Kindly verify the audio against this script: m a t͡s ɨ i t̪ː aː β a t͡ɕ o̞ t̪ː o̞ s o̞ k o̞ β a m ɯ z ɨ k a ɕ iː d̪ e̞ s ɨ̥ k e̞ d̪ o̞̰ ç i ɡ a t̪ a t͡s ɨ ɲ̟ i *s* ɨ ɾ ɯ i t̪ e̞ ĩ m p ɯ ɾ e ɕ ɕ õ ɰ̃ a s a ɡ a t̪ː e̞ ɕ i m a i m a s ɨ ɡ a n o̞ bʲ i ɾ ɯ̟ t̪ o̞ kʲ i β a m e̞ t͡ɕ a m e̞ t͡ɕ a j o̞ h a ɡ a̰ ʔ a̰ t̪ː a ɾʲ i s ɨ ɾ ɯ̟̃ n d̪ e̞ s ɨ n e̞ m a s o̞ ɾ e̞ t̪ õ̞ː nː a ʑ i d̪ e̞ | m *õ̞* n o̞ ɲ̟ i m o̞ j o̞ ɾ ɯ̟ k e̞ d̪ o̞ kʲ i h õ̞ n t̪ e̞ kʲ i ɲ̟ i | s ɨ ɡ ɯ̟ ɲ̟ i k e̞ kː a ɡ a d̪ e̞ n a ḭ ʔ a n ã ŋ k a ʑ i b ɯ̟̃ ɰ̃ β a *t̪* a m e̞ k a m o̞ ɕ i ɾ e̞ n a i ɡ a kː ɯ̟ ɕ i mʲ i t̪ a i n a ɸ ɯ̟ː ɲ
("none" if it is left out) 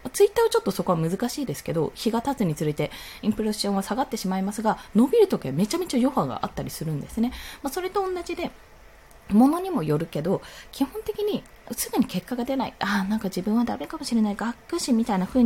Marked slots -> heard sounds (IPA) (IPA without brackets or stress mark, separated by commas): t͡s, o̞, d̪